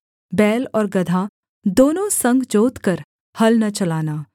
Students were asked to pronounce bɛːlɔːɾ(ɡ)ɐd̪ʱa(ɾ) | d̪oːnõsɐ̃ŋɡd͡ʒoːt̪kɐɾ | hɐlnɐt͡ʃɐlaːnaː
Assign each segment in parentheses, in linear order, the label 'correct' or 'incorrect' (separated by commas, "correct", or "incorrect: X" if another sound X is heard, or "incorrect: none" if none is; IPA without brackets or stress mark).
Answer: correct, incorrect: none